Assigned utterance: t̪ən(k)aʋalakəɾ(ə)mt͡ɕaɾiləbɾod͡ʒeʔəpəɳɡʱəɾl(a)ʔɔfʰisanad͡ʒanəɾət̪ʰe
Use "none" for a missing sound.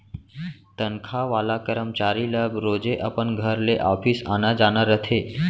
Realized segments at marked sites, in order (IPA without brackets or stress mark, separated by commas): kʰ, ə, e